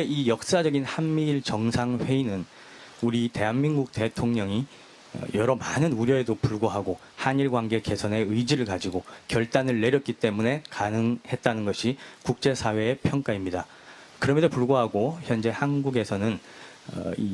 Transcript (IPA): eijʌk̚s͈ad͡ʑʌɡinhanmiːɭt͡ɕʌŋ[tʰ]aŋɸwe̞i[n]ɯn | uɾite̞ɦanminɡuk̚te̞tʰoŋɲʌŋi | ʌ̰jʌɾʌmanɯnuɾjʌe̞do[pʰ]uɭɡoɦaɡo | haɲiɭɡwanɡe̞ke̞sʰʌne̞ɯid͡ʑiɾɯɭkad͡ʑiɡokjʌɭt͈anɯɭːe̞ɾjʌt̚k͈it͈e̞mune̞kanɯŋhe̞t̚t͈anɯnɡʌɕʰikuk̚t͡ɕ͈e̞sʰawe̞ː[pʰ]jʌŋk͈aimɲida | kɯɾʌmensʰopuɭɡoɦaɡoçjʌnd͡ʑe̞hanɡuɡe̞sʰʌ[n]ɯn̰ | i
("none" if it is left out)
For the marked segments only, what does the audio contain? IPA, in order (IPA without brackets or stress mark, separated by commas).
sʰ, n, p, pʰ, n